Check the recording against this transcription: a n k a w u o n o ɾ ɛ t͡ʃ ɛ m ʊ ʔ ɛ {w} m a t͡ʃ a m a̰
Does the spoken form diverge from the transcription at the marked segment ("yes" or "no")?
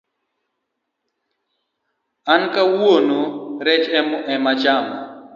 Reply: yes